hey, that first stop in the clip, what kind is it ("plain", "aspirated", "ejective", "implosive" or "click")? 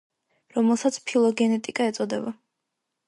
plain